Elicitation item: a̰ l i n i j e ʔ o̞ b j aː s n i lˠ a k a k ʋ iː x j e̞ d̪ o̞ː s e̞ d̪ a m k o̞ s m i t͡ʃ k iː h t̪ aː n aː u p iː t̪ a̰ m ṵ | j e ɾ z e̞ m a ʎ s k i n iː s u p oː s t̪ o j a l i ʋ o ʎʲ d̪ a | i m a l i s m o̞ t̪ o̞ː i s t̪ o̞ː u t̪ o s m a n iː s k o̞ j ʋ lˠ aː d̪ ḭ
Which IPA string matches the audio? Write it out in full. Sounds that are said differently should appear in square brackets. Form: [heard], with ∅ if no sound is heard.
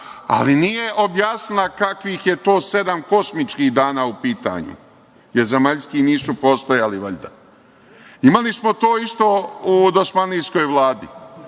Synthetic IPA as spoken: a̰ l i n i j e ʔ o̞ b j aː s n i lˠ a k a k ʋ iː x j e̞ [t̪] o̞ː s e̞ d̪ a m k o̞ s m i t͡ʃ k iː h [d̪] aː n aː u p iː t̪ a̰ [ɲ] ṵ | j e ɾ z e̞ m a ʎ s k i n iː s u p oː s t̪ o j a l i ʋ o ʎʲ d̪ a | i m a l i s m o̞ t̪ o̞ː i s t̪ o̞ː u [d̪] o s m a n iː s k o̞ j ʋ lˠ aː d̪ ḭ

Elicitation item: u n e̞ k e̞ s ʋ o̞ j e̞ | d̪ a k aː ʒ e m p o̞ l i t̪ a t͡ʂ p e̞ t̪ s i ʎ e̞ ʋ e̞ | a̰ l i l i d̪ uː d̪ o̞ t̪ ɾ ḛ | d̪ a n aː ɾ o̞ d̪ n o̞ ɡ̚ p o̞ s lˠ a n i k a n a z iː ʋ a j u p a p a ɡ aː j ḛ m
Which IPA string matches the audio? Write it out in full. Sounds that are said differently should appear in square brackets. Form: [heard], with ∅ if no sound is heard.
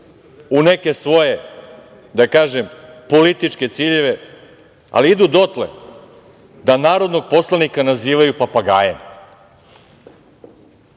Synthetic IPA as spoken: u n e̞ k e̞ s ʋ o̞ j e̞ | d̪ a k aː ʒ e m p o̞ l i t̪ [i] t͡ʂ [k] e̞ t̪ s i ʎ e̞ ʋ e̞ | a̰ l i [∅] i d̪ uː d̪ o̞ t̪ [l] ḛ | d̪ a n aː ɾ o̞ d̪ n o̞ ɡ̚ p o̞ s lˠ a n i k a n a z iː ʋ a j u p a p a ɡ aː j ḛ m

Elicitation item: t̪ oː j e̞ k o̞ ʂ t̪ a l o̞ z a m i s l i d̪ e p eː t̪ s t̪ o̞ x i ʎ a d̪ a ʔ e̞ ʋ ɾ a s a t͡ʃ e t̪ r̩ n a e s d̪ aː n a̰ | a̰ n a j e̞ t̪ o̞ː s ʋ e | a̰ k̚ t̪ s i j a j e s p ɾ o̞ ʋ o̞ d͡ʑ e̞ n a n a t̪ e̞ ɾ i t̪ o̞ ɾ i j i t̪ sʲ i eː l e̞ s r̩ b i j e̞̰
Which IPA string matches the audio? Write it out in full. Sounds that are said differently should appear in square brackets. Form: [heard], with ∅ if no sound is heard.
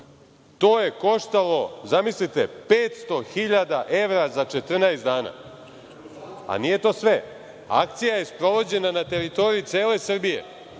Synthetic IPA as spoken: t̪ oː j e̞ k o̞ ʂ t̪ a l o̞ z a m i s l i [t̪] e p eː t̪ s t̪ o̞ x i ʎ a d̪ a ʔ e̞ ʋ ɾ a [z] a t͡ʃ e t̪ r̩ n a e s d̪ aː n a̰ | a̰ n [i] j e̞ t̪ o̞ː s ʋ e | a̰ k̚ t̪ s i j a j e s p ɾ o̞ ʋ o̞ d͡ʑ e̞ n a n a t̪ e̞ ɾ i t̪ o̞ ɾ i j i t̪ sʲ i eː l e̞ s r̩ b i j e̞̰

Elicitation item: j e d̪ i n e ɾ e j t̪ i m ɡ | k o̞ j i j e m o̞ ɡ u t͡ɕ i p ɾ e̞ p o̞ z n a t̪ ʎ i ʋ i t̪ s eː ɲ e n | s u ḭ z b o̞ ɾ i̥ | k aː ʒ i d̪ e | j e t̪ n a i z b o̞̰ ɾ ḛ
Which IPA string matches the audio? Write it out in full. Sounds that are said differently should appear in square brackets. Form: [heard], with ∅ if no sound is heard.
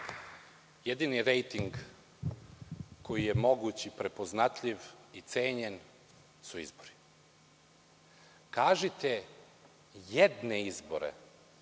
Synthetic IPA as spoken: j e d̪ i n [i] ɾ e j t̪ i [ŋ] ɡ | k o̞ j i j e m o̞ ɡ u t͡ɕ i p ɾ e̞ p o̞ z n a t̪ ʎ i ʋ i t̪ s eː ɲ e n | s u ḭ z b o̞ ɾ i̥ | k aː ʒ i [t̪] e | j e [d̪] n [e] i z b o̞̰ ɾ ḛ

